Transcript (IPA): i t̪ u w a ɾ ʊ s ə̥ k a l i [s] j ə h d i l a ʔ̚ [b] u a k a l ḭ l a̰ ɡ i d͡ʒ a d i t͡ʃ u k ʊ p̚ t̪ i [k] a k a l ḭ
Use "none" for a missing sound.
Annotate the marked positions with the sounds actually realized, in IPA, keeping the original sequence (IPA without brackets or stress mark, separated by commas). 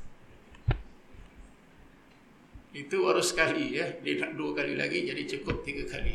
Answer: none, d, ɡ